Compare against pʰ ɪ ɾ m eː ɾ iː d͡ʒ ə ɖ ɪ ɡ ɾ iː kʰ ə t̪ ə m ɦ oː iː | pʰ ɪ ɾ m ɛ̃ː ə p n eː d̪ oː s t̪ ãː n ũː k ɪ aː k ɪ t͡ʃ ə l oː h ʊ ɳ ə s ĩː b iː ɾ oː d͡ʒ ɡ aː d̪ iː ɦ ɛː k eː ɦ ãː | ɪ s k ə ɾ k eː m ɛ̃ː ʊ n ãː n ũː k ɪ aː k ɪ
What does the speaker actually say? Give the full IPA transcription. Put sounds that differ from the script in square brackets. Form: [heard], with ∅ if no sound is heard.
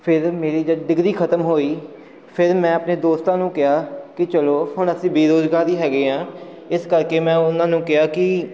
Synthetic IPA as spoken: pʰ ɪ ɾ m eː ɾ iː d͡ʒ ə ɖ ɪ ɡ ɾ iː kʰ ə t̪ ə m ɦ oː iː | pʰ ɪ ɾ m ɛ̃ː ə p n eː d̪ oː s t̪ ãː n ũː k ɪ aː k ɪ t͡ʃ ə l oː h ʊ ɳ ə s ĩː b iː ɾ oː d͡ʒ ɡ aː d̪ iː ɦ ɛː [ɡ] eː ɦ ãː | ɪ s k ə ɾ k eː m ɛ̃ː ʊ n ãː n ũː k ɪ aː k ɪ